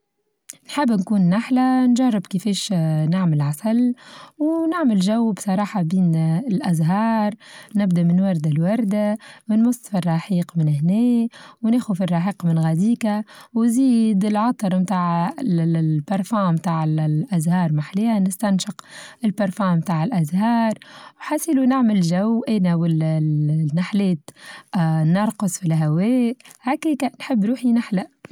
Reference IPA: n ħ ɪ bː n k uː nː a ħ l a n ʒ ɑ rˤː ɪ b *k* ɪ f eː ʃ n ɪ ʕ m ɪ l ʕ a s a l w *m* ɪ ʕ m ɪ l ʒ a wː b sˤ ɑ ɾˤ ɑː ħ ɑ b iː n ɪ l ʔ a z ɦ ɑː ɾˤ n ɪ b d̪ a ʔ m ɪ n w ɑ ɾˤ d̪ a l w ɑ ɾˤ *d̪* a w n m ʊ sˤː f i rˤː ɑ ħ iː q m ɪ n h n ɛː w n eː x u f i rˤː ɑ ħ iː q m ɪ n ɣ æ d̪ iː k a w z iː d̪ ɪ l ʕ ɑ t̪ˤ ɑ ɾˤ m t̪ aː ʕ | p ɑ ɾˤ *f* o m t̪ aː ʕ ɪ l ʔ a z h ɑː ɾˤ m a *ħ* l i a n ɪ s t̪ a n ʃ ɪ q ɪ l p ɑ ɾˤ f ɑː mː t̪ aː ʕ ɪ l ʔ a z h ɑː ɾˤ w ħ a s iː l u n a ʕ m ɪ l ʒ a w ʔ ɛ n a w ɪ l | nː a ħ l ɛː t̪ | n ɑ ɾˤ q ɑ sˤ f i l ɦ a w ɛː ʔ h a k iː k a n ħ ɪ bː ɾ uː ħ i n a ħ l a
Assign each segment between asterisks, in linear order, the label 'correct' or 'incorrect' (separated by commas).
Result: correct, incorrect, correct, correct, correct